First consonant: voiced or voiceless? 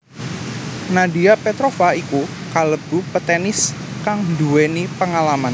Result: voiced